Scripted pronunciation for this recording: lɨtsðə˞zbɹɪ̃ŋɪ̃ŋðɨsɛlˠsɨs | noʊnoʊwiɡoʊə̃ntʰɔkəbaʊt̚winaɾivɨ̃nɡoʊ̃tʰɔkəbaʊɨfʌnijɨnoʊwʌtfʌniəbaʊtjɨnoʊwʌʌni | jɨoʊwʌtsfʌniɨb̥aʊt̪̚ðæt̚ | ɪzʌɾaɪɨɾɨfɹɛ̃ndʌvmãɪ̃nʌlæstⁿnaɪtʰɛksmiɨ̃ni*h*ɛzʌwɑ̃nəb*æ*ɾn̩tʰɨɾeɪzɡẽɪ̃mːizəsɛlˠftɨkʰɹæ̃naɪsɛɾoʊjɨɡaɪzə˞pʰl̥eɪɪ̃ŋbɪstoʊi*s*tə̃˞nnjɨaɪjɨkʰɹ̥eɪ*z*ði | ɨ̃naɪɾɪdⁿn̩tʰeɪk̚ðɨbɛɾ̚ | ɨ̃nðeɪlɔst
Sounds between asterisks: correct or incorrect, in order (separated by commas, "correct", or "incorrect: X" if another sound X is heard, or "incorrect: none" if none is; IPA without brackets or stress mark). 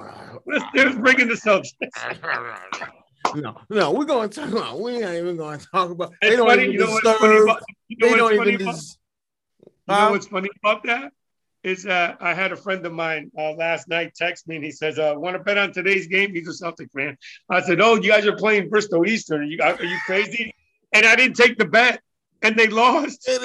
incorrect: s, incorrect: ɛ, correct, correct